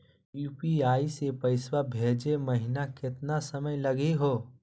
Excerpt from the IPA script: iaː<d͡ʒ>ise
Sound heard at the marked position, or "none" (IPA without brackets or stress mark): none